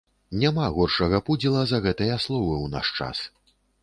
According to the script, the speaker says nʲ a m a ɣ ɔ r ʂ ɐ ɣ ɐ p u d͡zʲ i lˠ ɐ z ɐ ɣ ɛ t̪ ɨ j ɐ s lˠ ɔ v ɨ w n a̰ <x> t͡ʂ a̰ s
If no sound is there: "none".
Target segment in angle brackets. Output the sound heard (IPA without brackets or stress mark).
ʂ